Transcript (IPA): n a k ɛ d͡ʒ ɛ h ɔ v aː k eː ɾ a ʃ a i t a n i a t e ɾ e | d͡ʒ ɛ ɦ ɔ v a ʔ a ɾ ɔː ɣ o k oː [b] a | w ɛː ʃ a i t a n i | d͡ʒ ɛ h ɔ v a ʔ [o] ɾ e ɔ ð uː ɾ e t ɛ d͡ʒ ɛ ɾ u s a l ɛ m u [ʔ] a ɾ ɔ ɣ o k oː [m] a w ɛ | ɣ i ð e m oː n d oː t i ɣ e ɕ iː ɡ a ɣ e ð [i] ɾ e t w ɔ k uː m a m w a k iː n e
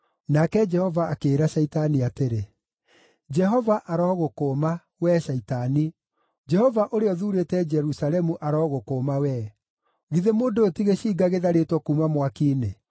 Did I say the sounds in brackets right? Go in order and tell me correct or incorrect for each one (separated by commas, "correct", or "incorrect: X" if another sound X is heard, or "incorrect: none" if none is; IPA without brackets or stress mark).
incorrect: m, correct, correct, correct, incorrect: a